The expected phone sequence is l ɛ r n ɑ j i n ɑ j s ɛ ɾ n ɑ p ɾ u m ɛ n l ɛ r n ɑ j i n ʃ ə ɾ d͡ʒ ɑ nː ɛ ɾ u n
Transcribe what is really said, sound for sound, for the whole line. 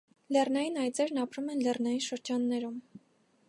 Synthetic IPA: l ɛ r n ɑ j i n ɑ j t͡s ɛ ɾ n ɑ p ɾ u m ɛ n l ɛ r n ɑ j i n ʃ ə ɾ d͡ʒ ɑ nː ɛ ɾ u m